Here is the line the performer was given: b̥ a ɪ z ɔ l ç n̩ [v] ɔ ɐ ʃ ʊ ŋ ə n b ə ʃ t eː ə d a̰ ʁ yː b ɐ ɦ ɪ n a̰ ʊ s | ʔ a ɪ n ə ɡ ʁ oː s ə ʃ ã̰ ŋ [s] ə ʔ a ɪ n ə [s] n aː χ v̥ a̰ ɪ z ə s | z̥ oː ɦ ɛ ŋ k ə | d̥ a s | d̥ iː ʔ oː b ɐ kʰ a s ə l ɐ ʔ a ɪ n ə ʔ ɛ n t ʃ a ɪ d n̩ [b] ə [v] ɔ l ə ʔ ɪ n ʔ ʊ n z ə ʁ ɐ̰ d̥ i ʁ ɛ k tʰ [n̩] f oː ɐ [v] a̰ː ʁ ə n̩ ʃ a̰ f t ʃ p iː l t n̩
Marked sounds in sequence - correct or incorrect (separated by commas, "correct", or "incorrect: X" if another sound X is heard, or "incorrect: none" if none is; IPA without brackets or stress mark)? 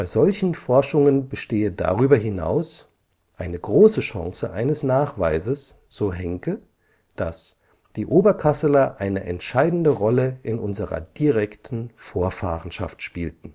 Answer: incorrect: f, correct, correct, incorrect: d, incorrect: ʁ, correct, incorrect: f